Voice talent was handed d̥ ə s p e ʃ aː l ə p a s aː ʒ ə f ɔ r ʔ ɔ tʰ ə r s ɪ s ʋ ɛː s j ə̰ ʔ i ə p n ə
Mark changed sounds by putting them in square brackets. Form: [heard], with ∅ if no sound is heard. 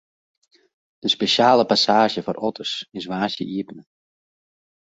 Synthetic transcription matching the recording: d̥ ə s p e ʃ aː l ə p a s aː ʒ ə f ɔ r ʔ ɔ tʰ ə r s ɪ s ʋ [aː] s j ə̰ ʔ i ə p n ə